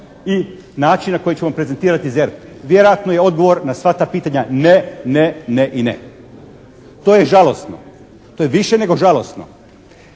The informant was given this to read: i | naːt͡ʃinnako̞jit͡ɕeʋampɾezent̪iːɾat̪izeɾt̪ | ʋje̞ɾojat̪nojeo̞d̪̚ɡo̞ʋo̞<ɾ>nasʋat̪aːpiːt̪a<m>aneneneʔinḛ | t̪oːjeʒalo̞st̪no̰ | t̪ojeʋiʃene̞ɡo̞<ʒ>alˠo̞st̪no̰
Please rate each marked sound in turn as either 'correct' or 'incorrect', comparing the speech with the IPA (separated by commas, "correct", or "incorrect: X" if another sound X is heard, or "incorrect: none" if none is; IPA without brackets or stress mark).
correct, incorrect: ɲ, correct